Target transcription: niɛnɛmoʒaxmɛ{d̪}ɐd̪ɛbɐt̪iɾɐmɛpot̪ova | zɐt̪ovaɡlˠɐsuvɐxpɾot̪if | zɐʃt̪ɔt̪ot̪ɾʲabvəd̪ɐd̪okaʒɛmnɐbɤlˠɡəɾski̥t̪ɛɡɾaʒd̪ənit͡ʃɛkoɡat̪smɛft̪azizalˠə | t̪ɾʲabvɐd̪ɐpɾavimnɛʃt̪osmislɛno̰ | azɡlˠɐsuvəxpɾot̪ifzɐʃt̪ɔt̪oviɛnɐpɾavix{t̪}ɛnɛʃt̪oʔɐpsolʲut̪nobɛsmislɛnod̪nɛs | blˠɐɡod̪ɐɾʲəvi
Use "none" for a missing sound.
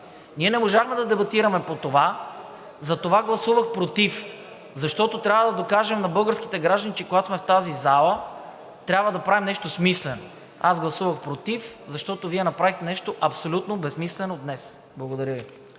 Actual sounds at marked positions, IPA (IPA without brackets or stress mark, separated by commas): d̪, t̪